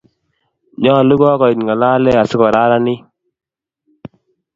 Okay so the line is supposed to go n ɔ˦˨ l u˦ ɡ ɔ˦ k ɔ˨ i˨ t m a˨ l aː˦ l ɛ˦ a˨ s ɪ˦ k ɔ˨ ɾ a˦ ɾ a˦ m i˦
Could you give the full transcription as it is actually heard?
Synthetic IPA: ɲ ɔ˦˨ l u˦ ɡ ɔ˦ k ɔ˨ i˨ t ŋ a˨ l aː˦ l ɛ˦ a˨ s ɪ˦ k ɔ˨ ɾ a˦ ɾ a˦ n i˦